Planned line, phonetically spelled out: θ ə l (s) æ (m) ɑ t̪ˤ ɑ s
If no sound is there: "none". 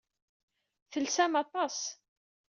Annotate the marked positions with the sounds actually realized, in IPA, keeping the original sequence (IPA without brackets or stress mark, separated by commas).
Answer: s, m